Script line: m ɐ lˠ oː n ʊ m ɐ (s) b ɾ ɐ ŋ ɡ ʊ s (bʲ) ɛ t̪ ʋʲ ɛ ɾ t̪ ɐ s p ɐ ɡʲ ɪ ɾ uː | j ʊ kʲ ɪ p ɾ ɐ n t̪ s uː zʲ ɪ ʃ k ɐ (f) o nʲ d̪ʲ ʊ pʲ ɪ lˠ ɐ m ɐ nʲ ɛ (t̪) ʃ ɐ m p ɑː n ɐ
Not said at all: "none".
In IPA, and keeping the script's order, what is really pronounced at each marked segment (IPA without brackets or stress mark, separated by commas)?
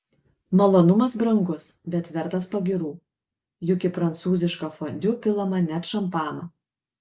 s, bʲ, f, t̪